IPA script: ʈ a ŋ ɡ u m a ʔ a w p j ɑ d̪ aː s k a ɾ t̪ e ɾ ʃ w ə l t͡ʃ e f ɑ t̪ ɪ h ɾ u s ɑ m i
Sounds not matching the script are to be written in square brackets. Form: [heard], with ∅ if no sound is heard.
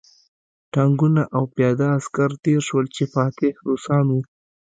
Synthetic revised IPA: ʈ a ŋ ɡ u [n] a ʔ a w p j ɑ d̪ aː s k a ɾ t̪ e ɾ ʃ w ə l t͡ʃ e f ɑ t̪ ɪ h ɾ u s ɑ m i

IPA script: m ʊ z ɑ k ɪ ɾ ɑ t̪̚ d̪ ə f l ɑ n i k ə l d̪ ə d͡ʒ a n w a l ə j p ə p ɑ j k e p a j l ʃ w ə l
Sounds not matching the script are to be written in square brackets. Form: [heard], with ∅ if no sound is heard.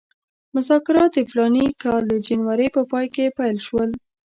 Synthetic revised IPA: m ʊ z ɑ k ɪ ɾ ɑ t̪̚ d̪ ə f l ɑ n i k [ɑ] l d̪ ə d͡ʒ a n w a [ɾ] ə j p ə p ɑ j k e p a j l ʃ w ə l

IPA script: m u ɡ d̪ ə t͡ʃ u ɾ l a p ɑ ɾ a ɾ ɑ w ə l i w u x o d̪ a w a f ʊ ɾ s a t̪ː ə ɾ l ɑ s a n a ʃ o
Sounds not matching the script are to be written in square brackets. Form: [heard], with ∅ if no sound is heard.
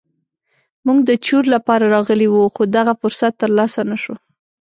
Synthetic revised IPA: m u ɡ d̪ ə t͡ʃ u ɾ l a p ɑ ɾ a ɾ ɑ [ɣ] ə l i w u x o d̪ a [ɣ] a f ʊ ɾ s a t̪ː ə ɾ l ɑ s a n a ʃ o

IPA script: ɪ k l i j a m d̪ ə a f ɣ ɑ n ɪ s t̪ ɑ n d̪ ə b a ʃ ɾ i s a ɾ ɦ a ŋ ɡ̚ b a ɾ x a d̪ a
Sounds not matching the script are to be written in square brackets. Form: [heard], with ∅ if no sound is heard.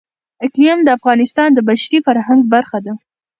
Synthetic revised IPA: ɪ k l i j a m d̪ ə a f ɣ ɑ n ɪ s t̪ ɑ n d̪ ə b a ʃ ɾ i [f] a ɾ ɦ a ŋ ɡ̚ b a ɾ x a d̪ a

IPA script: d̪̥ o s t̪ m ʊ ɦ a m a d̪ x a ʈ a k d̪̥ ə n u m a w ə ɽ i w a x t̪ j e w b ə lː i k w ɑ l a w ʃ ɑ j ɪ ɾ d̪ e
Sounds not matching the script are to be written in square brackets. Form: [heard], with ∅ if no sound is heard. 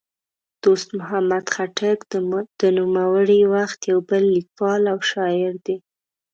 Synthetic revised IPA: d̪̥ o s t̪ m ʊ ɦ a m a d̪ x a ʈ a k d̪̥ ə n u m a w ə ɽ i w a x t̪ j [a] w b ə lː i k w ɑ l a w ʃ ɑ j ɪ ɾ d̪ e

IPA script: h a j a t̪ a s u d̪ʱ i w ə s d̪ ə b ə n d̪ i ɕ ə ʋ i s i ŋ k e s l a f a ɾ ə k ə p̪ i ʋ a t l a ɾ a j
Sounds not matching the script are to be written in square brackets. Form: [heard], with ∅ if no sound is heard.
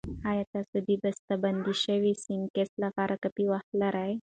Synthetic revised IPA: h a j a t̪ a s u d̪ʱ i [b] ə s [t̪] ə b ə n d̪ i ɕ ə ʋ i s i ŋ k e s l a f a ɾ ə k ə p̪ i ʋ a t l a ɾ a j

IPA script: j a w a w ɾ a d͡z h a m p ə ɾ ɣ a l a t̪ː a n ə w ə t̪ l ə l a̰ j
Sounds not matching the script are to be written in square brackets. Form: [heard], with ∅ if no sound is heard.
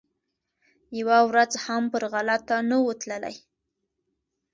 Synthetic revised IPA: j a w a w ɾ a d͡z h a m p ə ɾ ɣ a l a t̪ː a n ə w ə t̪ l ə l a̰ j

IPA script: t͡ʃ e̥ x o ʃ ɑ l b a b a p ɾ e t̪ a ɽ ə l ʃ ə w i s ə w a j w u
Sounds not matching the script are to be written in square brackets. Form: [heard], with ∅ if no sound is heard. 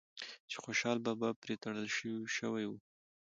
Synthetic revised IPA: t͡ʃ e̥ x o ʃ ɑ l b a b a p ɾ e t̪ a ɽ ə l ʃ ə w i [ʃ] ə w a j w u

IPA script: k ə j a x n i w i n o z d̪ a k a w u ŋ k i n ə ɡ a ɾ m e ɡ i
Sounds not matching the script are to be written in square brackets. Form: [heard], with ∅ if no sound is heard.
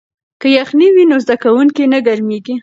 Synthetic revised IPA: k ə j a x n i w i n o z d̪ a k a w u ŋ k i n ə ɡ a ɾ m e ɡ i

